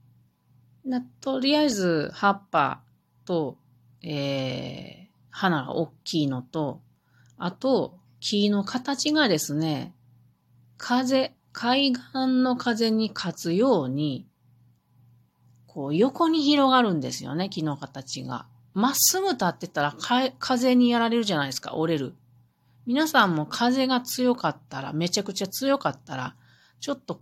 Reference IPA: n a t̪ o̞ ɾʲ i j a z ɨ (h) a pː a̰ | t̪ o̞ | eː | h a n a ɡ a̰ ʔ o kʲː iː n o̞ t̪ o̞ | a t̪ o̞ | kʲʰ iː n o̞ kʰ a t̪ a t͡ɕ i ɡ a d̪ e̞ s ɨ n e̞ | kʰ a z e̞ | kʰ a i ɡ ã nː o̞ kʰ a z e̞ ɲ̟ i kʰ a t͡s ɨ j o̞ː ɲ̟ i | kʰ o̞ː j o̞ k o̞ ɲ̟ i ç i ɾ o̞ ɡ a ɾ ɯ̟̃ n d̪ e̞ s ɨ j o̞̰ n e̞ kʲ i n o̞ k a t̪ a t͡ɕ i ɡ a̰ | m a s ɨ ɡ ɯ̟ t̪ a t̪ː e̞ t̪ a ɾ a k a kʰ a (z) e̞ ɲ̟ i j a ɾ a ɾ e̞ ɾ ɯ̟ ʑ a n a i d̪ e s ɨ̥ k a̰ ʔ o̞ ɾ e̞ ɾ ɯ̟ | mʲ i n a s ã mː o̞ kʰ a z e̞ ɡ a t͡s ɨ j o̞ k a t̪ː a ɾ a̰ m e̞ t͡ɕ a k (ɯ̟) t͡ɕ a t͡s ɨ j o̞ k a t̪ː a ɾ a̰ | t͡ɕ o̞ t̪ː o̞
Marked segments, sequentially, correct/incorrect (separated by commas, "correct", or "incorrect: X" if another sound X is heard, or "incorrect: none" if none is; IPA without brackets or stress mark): correct, correct, correct